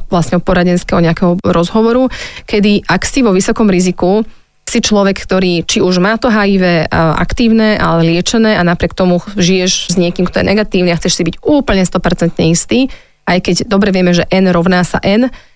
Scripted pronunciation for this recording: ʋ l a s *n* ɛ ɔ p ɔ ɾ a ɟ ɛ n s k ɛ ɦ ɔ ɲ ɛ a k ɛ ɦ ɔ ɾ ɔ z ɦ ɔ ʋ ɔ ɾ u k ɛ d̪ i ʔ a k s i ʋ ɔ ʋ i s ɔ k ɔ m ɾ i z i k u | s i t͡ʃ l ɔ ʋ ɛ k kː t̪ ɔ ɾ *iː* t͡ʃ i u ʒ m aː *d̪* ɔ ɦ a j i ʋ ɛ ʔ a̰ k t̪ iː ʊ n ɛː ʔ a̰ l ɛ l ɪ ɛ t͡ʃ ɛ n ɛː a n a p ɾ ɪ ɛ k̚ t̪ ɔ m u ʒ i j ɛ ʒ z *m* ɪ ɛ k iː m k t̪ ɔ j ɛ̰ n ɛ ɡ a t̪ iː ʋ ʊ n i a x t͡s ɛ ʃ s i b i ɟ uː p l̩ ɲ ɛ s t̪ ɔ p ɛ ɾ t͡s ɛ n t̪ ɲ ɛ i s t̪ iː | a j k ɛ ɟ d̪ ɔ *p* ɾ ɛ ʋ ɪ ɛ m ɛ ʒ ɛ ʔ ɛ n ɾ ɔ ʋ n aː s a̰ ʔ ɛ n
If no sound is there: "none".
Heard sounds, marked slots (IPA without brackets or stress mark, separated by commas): ɲ, iː, t̪, ɲ, b